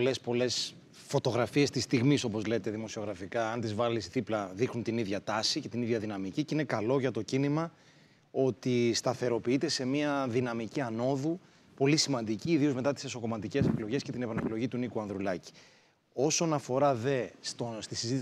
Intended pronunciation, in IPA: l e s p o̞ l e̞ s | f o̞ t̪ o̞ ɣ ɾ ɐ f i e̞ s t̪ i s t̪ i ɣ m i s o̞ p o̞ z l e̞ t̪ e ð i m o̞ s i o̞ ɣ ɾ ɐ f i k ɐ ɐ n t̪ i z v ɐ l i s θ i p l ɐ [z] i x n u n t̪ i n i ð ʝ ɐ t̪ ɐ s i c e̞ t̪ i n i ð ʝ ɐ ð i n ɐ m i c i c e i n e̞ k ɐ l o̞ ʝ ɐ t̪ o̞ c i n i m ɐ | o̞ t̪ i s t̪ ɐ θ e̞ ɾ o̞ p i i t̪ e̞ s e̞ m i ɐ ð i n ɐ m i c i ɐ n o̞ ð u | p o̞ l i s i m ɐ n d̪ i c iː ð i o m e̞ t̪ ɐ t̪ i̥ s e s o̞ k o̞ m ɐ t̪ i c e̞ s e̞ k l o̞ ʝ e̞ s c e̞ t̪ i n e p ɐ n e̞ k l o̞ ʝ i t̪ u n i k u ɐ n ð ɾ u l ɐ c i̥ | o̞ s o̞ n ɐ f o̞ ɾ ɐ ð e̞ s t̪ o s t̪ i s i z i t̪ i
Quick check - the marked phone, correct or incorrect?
incorrect: ð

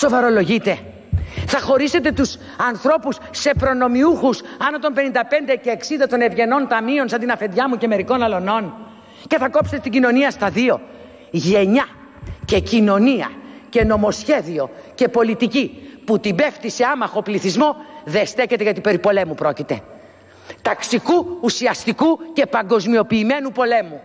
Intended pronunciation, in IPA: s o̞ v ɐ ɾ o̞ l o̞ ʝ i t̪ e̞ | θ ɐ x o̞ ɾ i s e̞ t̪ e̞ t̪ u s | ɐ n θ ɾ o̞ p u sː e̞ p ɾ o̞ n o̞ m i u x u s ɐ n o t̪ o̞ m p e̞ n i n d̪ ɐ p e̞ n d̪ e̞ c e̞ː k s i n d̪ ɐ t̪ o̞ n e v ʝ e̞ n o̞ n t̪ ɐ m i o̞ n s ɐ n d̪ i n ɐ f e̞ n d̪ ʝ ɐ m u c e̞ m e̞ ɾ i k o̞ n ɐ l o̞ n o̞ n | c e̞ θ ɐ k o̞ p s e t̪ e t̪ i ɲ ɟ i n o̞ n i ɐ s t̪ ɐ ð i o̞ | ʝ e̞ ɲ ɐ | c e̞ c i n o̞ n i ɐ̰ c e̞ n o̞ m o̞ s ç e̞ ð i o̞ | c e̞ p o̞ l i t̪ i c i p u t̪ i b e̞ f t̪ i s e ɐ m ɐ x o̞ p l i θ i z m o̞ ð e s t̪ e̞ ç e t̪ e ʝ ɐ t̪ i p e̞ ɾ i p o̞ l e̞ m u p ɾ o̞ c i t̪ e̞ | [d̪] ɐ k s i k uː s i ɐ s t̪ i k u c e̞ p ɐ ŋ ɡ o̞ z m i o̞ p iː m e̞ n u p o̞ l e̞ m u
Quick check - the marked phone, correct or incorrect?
incorrect: t̪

